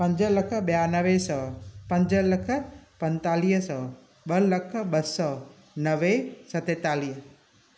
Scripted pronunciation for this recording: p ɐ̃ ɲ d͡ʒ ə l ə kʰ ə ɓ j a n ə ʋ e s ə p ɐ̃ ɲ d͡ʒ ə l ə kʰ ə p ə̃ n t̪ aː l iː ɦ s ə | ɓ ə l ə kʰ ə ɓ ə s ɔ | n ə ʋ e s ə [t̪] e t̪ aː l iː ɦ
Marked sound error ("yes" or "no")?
no